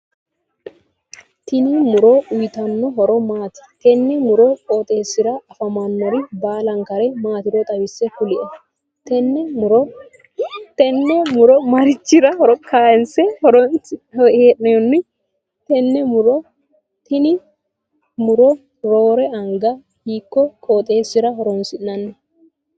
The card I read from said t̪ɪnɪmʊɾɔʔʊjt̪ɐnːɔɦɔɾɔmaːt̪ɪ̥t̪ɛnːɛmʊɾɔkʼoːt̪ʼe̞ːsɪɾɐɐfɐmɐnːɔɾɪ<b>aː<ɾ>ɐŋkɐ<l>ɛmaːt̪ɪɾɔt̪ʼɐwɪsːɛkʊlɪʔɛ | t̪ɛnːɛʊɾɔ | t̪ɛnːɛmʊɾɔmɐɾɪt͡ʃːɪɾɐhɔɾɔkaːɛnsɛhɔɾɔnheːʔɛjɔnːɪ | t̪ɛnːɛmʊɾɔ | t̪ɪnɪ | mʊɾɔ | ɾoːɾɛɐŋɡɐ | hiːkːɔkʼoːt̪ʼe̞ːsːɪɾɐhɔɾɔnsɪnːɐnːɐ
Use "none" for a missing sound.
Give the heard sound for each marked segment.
b, l, ɾ

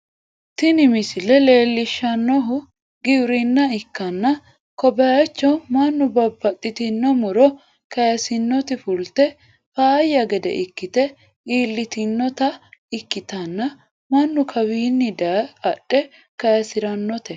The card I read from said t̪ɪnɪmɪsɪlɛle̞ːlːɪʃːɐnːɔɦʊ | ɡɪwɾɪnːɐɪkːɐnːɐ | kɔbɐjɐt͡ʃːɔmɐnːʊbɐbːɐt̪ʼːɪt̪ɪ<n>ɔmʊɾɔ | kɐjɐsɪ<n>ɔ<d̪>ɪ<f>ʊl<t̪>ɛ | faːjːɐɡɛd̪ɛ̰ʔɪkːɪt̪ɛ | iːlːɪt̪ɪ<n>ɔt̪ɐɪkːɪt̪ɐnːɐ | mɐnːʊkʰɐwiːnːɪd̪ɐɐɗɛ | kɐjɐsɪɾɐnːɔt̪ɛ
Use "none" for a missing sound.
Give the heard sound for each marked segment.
nː, nː, t̪, f, t̪, nː

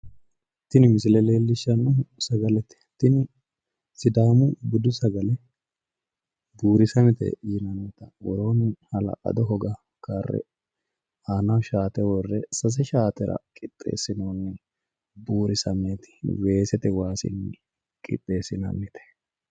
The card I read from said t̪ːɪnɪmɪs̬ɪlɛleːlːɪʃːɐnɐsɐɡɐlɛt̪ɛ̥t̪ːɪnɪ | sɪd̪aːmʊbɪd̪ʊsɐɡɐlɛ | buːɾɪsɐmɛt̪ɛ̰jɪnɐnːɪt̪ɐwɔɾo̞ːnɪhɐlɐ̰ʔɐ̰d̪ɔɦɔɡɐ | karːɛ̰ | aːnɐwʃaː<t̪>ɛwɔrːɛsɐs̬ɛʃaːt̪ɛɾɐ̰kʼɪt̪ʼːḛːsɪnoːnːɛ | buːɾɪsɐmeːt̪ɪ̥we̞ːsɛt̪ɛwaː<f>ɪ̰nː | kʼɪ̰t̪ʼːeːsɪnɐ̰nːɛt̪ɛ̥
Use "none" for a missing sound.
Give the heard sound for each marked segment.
t̪, s

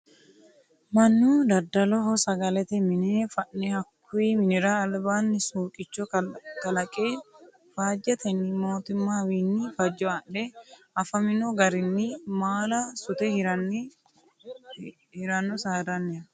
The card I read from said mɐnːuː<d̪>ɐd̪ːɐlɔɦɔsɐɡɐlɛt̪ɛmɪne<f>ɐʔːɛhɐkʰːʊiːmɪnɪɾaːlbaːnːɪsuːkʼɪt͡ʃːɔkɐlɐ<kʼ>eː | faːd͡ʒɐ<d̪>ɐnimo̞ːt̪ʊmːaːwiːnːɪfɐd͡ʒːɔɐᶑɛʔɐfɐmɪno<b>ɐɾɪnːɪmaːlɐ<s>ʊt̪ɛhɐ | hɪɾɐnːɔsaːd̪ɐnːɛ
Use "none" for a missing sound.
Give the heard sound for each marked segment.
d̪, f, kʼ, t̪, ɡ, s

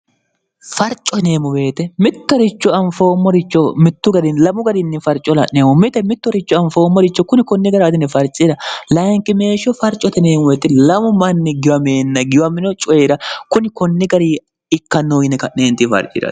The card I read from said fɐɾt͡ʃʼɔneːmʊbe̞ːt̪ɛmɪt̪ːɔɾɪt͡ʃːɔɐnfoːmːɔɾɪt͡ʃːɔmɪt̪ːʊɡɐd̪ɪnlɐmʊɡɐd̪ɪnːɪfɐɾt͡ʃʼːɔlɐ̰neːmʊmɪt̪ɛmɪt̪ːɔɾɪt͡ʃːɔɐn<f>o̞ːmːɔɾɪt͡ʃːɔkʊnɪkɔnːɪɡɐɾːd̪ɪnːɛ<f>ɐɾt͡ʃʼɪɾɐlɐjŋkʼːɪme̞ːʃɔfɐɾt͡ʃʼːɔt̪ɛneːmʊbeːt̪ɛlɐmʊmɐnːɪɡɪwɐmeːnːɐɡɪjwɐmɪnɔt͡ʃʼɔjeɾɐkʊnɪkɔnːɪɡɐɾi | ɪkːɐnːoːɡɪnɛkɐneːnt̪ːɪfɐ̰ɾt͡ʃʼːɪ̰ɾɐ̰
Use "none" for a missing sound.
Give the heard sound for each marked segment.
f, f

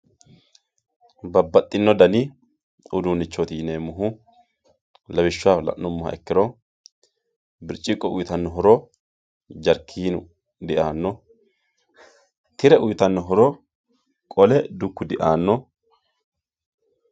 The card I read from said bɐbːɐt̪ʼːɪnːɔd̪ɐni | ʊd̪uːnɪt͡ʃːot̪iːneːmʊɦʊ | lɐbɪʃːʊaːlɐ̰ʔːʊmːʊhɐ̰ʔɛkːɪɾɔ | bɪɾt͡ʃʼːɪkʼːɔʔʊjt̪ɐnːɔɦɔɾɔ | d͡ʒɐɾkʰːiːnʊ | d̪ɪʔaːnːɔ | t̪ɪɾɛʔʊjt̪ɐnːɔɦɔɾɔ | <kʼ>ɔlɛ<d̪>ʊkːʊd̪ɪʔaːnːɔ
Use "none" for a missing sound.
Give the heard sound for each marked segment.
kʼ, d̪

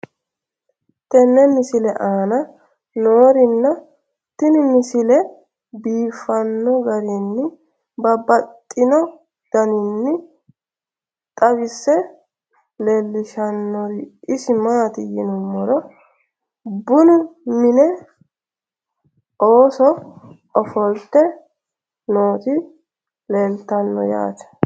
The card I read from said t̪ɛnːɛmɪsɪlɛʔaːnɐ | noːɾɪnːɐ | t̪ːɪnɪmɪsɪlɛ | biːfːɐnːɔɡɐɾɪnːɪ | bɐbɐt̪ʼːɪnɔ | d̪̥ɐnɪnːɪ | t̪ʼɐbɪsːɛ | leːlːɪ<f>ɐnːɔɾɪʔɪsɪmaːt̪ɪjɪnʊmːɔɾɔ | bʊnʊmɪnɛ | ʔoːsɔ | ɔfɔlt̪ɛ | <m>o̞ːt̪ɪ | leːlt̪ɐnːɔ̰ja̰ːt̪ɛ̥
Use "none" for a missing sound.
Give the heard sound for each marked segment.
ʃ, n

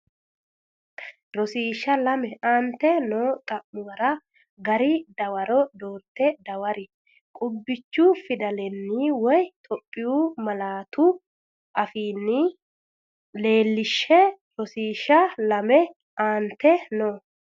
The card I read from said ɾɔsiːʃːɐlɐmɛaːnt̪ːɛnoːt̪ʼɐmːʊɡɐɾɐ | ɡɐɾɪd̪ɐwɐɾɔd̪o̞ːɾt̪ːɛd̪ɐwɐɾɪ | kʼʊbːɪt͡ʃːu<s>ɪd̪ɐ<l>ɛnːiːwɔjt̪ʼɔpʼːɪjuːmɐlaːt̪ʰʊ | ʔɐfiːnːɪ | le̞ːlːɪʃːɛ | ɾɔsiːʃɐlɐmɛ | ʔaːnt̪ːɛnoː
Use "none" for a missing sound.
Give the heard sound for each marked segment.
f, l

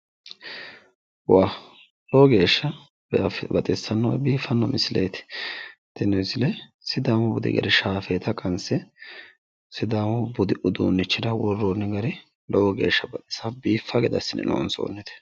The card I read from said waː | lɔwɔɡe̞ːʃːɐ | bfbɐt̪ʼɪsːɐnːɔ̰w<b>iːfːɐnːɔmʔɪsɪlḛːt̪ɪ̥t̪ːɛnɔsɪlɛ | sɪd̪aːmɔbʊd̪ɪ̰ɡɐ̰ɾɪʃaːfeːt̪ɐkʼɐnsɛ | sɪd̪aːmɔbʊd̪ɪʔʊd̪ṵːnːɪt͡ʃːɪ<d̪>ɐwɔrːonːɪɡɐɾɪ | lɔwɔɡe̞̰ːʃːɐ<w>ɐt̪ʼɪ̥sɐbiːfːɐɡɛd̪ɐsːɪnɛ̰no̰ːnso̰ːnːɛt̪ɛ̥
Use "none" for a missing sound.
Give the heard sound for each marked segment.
b, d̪, b

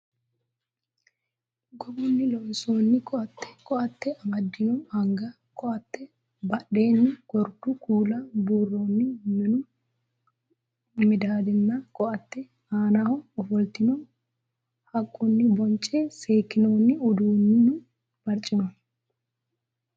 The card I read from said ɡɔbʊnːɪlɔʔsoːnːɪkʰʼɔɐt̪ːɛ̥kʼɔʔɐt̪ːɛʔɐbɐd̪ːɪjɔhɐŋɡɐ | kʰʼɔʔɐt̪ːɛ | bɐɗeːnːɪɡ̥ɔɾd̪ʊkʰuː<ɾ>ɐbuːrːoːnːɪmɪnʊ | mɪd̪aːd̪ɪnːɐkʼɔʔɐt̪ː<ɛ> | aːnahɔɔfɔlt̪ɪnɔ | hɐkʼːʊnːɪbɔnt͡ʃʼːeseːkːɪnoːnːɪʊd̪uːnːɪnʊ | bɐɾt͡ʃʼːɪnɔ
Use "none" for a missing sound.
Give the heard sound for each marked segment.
l, ɛ

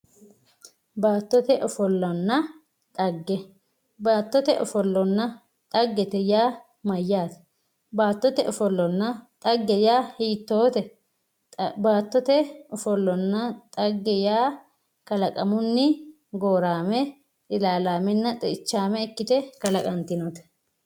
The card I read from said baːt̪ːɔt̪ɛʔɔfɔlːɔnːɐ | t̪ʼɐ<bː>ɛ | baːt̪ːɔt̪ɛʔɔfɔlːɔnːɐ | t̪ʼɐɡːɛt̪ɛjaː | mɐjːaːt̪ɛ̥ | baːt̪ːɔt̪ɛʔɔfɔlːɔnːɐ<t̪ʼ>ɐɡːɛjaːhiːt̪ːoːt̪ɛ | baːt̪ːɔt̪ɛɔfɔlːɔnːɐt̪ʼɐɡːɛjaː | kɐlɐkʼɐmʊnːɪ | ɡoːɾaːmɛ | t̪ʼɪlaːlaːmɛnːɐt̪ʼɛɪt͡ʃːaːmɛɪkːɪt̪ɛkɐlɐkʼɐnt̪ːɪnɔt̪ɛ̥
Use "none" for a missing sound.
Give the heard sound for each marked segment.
ɡː, t̪ʼ

